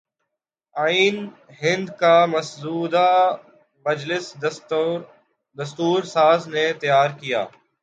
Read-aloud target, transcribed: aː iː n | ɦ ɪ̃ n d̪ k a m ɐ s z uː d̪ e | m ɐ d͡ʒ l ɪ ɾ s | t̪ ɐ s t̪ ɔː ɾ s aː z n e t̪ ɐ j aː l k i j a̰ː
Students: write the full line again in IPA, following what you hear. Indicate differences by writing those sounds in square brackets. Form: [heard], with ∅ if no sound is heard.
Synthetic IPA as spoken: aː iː n | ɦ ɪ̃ n d̪ k a m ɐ s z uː d̪ [a] | m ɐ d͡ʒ l ɪ [∅] s | [d̪] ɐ s t̪ [uː] ɾ s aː z n e t̪ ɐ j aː [ɾ] k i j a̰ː